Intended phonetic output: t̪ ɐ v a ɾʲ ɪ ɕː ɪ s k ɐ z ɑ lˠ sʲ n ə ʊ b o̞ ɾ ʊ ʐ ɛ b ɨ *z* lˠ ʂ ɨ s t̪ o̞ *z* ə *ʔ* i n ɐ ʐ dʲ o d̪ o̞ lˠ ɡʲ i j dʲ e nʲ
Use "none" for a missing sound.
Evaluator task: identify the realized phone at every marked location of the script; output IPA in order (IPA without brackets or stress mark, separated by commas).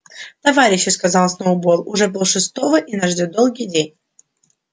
none, v, ʔ